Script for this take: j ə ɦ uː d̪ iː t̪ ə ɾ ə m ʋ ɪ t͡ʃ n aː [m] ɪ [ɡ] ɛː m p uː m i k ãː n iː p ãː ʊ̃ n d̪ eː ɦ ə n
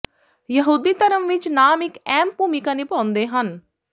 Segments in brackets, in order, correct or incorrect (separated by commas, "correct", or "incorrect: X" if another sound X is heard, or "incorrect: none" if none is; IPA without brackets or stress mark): correct, incorrect: k